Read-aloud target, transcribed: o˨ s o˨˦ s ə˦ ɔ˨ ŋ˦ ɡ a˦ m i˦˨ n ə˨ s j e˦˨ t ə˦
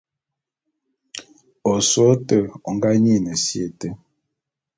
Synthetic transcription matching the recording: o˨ s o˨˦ t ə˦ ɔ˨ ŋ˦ ɡ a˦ ɲ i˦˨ n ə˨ s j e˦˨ t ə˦